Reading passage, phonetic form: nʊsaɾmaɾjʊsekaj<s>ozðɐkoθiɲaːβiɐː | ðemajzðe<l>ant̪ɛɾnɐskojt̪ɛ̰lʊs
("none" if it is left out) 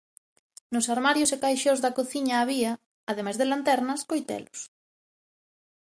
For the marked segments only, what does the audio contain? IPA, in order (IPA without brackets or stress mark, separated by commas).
ʃ, l